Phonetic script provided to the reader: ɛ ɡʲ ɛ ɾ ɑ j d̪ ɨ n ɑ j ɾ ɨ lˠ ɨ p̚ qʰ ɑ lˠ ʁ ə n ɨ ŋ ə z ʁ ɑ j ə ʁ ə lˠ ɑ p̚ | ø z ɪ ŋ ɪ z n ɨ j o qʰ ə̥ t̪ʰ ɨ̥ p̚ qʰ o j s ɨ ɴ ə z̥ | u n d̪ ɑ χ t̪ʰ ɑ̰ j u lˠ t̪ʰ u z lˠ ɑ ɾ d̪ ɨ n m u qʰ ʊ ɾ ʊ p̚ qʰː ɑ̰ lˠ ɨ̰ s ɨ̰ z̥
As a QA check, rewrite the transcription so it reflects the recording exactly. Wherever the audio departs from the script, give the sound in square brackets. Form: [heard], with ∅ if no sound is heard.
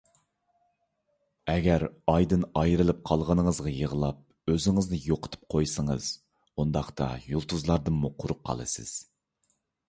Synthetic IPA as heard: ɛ ɡʲ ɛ ɾ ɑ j d̪ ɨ n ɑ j ɾ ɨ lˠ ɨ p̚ qʰ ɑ lˠ ʁ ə n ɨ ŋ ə z ʁ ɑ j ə ʁ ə lˠ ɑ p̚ | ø z ɪ ŋ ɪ z n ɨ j o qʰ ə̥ t̪ʰ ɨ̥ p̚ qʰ o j s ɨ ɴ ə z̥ | u n d̪ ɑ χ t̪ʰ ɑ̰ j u lˠ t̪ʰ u z lˠ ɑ ɾ d̪ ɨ n m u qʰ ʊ ɾ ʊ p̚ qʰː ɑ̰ lˠ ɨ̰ s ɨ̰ z̥